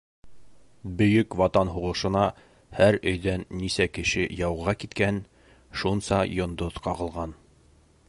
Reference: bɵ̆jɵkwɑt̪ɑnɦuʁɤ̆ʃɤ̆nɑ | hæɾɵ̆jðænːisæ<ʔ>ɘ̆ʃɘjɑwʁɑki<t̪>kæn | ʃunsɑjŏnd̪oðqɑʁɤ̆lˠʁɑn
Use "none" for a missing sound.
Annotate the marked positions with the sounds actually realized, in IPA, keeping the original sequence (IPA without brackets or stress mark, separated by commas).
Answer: k, t̪